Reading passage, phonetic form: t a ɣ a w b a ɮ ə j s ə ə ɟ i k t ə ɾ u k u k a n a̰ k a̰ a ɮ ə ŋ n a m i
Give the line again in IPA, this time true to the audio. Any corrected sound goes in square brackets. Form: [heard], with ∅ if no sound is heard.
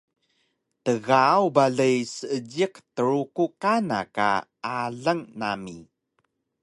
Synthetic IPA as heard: t [ə] ɣ a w b a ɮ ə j s ə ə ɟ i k t ə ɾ u k u k a n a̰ k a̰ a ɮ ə ŋ n a m i

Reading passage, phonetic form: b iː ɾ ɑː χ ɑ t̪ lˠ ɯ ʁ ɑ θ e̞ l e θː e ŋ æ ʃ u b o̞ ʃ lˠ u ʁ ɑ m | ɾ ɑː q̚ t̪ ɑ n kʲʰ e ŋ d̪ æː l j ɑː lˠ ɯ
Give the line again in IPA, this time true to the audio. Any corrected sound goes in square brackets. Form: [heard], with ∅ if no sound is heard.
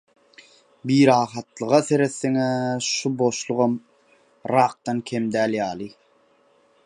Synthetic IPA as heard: b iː ɾ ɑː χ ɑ t̪ lˠ ɯ ʁ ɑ θ e̞ [ɾ] e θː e ŋ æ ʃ u b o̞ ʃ lˠ u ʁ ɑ m | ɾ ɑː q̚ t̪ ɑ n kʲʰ e [m] d̪ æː l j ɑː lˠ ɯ

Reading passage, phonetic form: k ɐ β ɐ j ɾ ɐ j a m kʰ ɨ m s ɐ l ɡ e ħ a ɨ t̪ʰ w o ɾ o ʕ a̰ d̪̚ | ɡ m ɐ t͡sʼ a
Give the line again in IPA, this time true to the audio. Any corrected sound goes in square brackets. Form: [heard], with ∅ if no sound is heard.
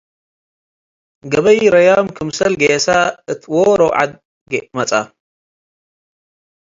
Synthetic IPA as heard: [ɡ] ɐ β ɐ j ɾ ɐ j a m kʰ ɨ m s ɐ l ɡ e [s] a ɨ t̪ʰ w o ɾ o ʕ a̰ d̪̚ | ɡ m ɐ t͡sʼ a

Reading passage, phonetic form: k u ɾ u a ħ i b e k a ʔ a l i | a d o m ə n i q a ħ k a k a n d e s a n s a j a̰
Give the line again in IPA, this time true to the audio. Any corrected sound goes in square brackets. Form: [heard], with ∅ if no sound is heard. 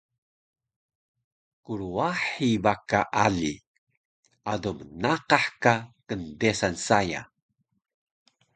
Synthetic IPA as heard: k u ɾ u a ħ i b [a] k a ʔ a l i | a d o m ə n [a] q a ħ k a k [ə] n d e s a n s a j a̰

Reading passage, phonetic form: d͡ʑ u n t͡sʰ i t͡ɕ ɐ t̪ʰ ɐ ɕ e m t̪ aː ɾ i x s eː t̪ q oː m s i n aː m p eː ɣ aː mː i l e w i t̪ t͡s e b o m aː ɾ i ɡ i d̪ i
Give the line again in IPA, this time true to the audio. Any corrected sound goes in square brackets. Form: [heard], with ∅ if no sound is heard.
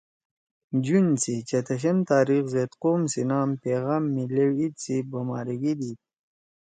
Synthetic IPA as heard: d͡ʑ u n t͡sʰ i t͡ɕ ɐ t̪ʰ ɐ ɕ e m t̪ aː ɾ i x [z] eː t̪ q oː m s i n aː m p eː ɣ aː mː i l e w i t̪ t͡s [i] b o m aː ɾ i ɡ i d̪ i

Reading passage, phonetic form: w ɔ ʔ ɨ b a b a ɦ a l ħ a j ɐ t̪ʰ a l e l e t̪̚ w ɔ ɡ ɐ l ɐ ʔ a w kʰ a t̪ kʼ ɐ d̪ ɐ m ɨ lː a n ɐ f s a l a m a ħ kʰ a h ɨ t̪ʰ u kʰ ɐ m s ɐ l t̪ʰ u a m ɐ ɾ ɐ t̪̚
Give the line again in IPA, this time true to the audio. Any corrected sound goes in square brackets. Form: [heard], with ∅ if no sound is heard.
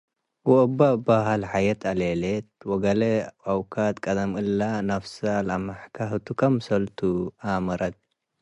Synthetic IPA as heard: w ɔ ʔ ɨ b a b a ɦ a l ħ a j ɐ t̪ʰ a l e l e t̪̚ w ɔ ɡ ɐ l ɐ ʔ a w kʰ a t̪ kʼ ɐ d̪ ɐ m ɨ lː a n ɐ f s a l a m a ħ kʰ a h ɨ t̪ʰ u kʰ ɐ m s ɐ l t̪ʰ u a m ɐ ɾ ɐ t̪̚

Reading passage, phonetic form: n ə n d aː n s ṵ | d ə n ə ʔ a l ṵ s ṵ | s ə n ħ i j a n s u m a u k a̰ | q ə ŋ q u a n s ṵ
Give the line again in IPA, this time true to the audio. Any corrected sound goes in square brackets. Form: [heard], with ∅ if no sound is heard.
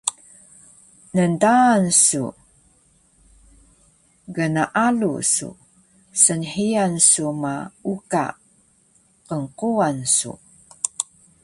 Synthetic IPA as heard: n ə n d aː n s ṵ | [ɡ] ə n [a] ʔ a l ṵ s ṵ | s ə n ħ i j a n s u m a u k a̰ | q ə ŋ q u a n s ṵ

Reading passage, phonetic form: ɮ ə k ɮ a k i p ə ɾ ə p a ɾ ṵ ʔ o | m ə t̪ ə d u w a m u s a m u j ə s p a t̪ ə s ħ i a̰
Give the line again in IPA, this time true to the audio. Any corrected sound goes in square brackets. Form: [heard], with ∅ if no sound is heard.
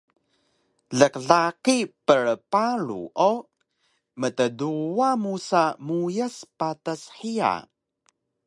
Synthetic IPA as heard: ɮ ə k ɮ a k i p ə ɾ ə p a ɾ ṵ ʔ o | m ə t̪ ə d u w a m u s a m u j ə s p a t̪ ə s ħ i a̰

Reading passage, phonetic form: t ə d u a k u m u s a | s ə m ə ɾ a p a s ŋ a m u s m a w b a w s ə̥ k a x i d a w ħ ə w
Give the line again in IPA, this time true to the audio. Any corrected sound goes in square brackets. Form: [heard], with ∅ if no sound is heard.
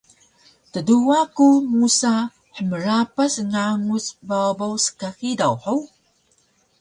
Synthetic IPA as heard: t ə d u a k u m u s a | [ħ] ə m ə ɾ a p a s ŋ a [ŋ] u s [b] a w b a w s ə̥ k a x i d a w ħ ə w

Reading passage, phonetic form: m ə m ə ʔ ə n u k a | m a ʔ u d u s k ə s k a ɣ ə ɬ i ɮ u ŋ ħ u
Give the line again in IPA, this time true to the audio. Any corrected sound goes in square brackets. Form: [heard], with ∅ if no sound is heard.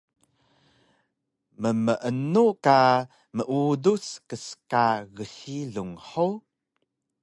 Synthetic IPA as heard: m ə m ə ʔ ə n u k a | m [ə] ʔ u d u s k ə s k a ɣ ə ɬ i ɮ u ŋ ħ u

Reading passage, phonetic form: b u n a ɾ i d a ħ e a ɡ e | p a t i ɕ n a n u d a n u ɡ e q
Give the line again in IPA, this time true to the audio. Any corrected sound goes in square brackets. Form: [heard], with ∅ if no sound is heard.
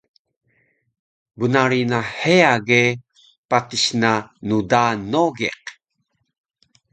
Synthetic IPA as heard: b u n a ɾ i [n] a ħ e a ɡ e | p a t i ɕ n a n u d a n [o] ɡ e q

